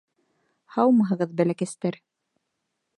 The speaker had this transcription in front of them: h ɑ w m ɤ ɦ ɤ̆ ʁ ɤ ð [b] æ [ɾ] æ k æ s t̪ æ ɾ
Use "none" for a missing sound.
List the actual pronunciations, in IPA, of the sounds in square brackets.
b, l

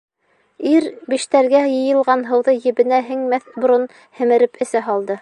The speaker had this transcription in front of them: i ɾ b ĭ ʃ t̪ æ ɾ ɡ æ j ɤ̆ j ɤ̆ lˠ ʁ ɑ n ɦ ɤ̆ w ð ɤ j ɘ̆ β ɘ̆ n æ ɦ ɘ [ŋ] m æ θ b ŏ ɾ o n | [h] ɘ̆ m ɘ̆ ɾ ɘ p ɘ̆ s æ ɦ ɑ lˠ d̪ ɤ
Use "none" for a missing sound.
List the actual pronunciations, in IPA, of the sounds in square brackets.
ŋ, h

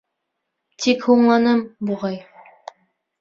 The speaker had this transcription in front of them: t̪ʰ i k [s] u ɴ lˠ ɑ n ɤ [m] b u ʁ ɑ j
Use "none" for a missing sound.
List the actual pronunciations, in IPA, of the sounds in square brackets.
h, m

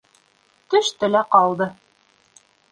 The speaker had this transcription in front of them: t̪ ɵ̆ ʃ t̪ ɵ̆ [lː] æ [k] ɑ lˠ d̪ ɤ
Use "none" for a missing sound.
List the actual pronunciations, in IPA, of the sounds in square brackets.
l, q

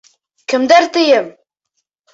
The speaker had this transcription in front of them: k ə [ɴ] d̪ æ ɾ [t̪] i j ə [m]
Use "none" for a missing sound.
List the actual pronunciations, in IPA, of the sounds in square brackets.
m, t̪, m

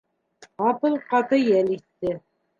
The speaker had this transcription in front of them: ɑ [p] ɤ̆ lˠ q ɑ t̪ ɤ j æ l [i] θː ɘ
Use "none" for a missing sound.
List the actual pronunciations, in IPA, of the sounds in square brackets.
p, i

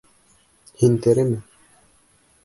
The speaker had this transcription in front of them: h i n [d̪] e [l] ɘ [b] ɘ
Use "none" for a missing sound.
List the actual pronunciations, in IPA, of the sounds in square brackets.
t̪, ɾ, m

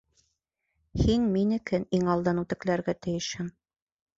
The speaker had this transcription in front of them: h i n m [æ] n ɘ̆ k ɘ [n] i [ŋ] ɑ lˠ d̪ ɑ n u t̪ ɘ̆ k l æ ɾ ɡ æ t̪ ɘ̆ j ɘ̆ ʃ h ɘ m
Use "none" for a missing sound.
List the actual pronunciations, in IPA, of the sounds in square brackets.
i, n, ŋ

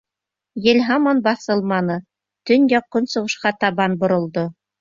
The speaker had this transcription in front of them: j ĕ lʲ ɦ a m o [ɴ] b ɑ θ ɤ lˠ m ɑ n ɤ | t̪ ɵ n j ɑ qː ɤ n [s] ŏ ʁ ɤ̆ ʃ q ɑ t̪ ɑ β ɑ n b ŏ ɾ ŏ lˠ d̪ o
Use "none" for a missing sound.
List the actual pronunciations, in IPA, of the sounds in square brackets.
n, s

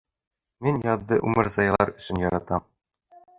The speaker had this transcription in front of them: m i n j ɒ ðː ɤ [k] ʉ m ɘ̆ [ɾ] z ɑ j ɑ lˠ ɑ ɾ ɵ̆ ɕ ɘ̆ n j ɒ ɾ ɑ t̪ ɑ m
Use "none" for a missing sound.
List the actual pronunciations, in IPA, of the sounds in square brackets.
ʔ, ɾ

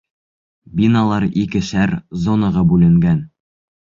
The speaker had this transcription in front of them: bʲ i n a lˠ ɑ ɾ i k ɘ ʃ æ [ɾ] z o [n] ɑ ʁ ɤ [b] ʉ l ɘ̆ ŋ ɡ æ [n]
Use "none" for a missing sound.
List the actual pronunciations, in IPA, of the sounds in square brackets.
ɾ, n, b, n

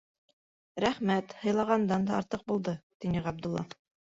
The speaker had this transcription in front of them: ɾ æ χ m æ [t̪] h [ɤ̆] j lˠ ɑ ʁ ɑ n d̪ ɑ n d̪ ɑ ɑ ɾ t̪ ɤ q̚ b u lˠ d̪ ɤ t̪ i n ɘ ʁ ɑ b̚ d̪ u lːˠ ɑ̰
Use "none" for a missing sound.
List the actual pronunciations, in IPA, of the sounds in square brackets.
t̪, ɤ̆

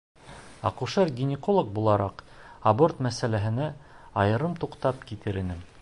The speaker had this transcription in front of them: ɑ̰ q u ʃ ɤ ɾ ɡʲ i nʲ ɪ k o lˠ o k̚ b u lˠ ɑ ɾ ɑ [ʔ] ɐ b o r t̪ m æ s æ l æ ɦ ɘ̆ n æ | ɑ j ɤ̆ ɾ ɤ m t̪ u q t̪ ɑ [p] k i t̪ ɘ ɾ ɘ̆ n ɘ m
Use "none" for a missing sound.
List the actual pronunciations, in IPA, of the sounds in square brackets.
q, p

